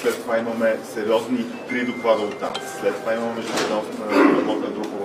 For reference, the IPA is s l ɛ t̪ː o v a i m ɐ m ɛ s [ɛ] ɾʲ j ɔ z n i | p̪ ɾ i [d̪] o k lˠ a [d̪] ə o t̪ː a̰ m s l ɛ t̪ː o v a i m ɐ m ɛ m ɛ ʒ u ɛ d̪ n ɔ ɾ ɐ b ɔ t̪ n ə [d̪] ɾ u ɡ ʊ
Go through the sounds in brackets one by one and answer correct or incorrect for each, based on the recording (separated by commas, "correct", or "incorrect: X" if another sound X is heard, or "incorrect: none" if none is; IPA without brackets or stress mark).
correct, correct, correct, correct